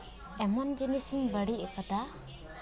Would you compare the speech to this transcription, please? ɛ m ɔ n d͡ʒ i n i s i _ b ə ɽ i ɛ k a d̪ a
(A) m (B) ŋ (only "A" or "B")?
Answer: B